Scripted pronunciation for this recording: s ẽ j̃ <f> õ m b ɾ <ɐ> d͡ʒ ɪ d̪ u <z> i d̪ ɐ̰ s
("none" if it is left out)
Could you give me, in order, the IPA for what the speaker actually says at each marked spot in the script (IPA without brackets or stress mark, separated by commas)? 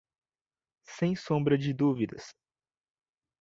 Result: s, ɐ, v